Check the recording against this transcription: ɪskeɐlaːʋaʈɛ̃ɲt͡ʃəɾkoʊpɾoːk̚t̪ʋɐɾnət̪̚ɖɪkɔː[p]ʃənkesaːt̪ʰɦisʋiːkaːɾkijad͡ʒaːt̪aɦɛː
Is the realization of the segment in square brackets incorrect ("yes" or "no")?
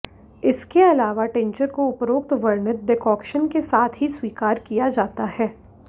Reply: yes